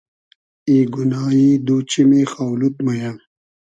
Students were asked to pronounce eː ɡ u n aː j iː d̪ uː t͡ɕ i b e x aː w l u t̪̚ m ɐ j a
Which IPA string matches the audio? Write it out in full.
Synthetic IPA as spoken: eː ɡ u n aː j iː d̪ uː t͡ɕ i m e x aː w l u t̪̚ m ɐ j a

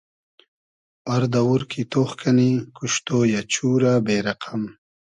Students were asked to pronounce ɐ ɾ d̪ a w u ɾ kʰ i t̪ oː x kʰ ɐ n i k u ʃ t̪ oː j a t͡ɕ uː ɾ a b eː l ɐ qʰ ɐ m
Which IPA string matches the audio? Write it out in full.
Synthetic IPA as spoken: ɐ ɾ d̪ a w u ɾ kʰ i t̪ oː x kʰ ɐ n i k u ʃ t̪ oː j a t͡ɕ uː ɾ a b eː ɾ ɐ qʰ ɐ m

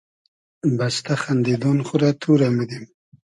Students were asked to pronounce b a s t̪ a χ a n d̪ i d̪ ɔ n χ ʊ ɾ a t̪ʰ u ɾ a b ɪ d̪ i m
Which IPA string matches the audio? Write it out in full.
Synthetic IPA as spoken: b a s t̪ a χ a n d̪ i d̪ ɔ n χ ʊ ɾ a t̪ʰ u ɾ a m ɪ d̪ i m

